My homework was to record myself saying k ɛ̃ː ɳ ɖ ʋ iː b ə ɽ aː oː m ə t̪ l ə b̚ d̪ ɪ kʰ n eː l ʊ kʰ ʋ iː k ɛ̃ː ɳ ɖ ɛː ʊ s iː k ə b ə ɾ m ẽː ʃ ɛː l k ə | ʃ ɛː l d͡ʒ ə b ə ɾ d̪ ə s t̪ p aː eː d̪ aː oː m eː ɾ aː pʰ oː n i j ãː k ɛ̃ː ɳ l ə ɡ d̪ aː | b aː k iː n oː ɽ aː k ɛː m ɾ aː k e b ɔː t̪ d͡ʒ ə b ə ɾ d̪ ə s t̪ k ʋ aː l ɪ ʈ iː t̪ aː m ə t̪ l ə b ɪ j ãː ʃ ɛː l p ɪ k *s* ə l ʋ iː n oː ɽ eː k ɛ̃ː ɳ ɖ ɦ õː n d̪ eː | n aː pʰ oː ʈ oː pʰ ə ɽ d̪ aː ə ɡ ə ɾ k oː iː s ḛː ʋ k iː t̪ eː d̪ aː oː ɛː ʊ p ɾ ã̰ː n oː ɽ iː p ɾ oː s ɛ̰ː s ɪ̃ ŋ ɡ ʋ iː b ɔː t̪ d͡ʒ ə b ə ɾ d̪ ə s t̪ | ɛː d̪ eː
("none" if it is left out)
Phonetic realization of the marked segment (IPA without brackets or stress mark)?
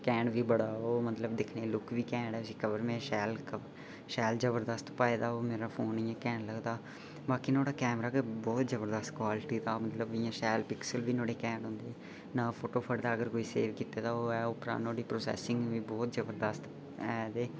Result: s